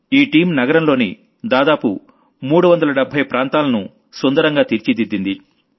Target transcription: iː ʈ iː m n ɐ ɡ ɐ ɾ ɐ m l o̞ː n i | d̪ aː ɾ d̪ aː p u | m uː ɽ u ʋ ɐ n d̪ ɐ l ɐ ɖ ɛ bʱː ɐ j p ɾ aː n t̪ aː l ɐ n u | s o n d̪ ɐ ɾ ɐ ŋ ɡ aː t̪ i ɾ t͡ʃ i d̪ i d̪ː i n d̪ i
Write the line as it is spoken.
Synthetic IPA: iː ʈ iː m n ɐ ɡ ɐ ɾ ɐ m l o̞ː n i | d̪ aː d̪ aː p u | m uː ɽ u ʋ ɐ n d̪ ɐ l ɐ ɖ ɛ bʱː ɐ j p ɾ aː n t̪ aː l ɐ n u | s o n d̪ ɐ ɾ ɐ ŋ ɡ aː t̪ i ɾ t͡ʃ i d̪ i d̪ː i n d̪ i